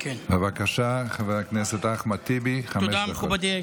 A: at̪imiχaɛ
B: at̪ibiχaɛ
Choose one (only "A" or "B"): B